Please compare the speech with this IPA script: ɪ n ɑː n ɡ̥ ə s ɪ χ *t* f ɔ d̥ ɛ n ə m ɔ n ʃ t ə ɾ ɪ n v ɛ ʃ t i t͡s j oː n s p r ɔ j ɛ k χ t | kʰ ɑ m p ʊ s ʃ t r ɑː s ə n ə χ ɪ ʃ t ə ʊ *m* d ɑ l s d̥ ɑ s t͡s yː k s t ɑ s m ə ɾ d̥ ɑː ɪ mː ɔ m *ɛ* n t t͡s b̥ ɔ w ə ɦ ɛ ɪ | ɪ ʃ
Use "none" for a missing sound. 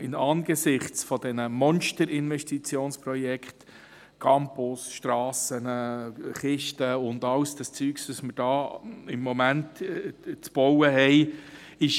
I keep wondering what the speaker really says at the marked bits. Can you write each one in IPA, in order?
t͡s, n, æ

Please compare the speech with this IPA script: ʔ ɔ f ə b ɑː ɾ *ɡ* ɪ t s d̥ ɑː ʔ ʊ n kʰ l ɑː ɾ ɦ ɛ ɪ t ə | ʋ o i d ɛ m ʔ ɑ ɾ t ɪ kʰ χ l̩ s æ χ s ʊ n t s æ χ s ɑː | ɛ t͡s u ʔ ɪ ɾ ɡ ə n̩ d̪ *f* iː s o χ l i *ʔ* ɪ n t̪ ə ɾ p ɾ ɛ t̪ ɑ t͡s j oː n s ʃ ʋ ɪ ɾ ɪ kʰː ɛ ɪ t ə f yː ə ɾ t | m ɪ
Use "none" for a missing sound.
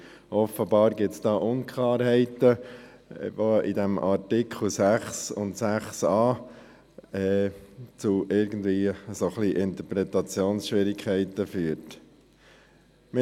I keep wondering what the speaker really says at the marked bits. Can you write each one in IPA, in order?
ɡ, v, ʔ

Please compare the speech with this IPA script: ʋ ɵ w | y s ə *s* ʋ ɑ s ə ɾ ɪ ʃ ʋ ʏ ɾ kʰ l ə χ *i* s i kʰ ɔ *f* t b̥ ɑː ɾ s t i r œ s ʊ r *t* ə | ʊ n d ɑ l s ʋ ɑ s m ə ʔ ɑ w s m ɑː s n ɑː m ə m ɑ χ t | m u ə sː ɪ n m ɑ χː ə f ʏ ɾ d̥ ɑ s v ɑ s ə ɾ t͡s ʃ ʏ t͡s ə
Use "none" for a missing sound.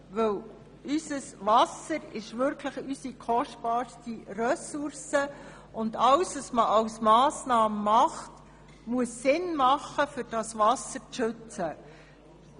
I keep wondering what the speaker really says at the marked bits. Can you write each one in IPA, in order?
s, y, ʃ, s

